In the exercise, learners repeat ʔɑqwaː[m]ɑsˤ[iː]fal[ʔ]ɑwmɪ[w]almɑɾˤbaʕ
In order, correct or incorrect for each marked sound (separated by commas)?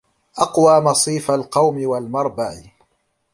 correct, correct, incorrect, correct